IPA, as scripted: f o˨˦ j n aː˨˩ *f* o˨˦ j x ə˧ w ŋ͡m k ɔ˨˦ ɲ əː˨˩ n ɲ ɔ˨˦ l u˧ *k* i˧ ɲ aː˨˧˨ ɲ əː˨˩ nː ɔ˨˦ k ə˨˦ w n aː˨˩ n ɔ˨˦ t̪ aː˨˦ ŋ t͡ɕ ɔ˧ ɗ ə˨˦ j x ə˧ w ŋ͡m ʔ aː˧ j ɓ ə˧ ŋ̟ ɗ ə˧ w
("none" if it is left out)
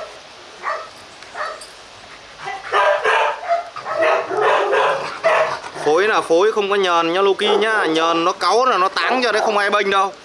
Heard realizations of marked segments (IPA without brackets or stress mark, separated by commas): f, k